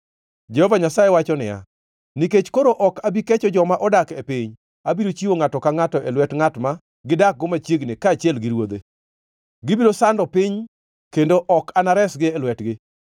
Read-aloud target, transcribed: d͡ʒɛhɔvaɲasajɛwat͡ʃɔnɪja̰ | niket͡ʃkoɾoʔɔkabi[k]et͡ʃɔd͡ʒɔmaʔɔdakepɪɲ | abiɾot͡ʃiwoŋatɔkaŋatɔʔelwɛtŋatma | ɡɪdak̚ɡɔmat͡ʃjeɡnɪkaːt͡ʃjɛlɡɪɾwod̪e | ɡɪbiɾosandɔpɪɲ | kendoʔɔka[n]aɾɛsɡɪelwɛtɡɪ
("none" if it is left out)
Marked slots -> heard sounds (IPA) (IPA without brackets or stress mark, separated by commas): k, n